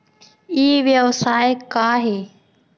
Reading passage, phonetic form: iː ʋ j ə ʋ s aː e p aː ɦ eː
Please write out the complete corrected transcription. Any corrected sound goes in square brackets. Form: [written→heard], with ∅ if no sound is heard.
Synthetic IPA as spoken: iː ʋ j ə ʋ s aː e [p→k] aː ɦ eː